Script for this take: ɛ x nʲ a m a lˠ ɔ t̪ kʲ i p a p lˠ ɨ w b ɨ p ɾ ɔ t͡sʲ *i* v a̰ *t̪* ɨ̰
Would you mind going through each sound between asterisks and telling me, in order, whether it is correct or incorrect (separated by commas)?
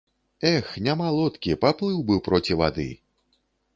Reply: correct, incorrect